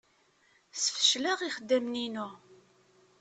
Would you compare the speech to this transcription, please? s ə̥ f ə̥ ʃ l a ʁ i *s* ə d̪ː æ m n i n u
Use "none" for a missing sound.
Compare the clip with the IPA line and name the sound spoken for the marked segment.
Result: χ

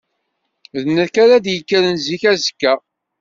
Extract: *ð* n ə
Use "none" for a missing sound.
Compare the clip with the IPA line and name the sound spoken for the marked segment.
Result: ð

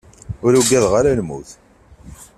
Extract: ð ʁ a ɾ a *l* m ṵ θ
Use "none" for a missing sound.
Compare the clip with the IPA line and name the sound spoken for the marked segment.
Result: l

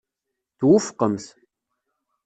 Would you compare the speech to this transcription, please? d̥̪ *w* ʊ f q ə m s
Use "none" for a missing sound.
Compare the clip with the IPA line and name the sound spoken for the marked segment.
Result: w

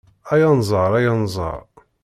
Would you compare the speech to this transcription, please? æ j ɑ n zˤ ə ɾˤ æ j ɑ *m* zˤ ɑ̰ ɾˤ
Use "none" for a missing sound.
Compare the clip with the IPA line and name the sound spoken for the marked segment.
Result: n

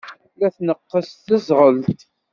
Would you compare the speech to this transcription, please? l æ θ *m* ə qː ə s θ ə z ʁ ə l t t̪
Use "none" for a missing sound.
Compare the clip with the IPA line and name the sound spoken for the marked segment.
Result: n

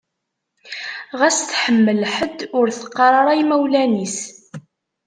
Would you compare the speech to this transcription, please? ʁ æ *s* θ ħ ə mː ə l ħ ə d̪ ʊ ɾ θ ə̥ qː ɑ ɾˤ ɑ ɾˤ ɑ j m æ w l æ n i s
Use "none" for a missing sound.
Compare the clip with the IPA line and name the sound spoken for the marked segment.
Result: s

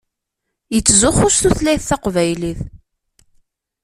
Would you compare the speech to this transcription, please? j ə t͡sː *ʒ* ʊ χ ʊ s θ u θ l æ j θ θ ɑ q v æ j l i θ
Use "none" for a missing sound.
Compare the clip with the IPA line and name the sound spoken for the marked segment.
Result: z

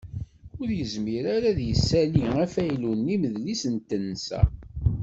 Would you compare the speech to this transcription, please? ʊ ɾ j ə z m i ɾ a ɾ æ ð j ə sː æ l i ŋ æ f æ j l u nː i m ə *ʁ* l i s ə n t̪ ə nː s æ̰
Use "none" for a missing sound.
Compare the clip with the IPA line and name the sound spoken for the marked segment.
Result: ð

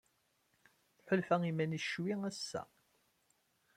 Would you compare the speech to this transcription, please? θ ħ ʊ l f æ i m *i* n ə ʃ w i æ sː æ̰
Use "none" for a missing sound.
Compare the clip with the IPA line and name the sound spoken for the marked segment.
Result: æ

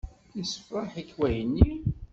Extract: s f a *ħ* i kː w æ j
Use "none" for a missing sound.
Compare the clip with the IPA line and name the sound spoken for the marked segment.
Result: ħ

